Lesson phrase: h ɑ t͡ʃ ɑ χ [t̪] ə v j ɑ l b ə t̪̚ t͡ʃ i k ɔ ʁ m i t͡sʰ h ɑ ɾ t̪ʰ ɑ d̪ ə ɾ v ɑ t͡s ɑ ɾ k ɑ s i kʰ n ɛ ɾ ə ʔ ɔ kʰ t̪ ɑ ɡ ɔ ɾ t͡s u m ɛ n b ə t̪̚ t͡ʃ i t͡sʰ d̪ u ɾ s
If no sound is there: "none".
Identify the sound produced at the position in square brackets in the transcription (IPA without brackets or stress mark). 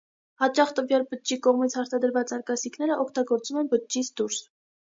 t̪